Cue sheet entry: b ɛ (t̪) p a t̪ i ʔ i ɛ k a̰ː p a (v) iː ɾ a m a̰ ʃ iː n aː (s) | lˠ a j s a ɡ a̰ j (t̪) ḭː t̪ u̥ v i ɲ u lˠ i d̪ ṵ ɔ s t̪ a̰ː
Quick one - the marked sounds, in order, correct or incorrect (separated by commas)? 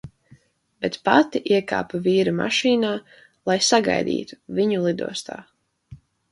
correct, correct, incorrect, incorrect